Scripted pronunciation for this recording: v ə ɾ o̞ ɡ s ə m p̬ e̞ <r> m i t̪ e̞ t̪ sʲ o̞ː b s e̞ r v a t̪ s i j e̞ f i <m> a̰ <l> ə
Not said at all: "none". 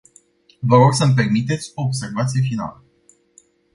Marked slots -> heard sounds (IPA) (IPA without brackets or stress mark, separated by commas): r, n, l